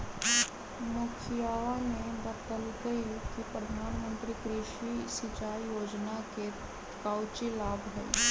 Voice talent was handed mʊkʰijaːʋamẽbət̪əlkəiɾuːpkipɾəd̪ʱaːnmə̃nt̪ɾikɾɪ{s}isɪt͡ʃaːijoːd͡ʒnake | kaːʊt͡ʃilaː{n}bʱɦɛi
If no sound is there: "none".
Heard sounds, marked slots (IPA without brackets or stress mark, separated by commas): ʃ, none